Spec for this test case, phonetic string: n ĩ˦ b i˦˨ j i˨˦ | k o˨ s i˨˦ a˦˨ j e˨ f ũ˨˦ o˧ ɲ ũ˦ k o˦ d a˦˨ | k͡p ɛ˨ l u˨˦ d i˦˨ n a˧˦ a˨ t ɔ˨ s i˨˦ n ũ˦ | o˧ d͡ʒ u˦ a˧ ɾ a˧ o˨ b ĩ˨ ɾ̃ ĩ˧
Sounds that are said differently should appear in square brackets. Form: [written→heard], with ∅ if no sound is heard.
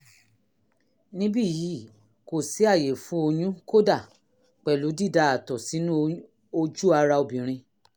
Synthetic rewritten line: n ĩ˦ b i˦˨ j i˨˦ | k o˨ s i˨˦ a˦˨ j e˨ f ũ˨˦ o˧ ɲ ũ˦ k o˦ d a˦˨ | k͡p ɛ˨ l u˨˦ d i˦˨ [n→d] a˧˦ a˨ t ɔ˨ s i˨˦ n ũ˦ | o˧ d͡ʒ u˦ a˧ ɾ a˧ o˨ b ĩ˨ ɾ̃ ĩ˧